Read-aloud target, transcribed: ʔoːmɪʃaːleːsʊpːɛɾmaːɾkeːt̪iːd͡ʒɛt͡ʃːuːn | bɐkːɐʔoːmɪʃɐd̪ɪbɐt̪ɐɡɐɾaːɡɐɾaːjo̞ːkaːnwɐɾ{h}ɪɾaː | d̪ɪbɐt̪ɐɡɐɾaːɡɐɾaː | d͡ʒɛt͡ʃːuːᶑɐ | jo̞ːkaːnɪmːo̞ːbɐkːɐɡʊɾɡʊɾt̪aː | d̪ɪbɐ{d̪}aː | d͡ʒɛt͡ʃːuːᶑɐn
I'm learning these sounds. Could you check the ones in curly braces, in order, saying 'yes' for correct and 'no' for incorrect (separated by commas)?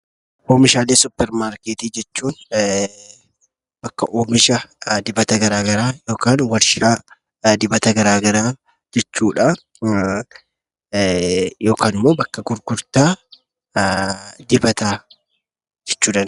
no, no